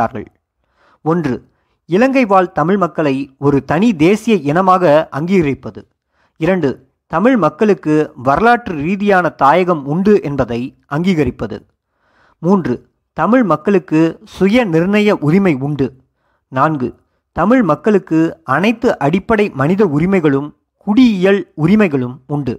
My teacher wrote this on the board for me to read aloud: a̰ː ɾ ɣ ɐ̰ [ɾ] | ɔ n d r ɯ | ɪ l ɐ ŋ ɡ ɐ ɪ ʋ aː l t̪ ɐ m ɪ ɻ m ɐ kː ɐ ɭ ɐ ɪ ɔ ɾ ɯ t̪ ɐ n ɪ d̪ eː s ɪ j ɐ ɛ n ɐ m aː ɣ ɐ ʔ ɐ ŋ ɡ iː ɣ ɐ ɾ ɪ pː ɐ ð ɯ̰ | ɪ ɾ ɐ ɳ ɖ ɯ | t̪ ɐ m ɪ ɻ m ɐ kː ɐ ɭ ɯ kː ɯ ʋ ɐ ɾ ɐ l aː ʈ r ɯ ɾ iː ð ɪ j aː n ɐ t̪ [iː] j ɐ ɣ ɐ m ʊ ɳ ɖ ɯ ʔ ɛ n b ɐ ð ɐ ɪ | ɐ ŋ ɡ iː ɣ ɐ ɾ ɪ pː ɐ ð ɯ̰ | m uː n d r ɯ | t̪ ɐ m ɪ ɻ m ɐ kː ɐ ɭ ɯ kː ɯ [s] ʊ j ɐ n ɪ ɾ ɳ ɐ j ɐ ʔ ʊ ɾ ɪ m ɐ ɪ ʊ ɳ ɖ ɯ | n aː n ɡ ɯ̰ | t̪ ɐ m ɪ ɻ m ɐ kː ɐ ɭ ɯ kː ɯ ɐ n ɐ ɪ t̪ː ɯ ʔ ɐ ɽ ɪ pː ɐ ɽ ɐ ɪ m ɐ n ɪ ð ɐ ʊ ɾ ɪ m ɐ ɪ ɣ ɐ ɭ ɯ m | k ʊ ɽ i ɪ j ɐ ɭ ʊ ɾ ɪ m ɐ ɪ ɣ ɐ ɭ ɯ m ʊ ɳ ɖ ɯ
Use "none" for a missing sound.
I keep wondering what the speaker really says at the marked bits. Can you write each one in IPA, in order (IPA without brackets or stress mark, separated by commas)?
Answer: ɭ, aː, s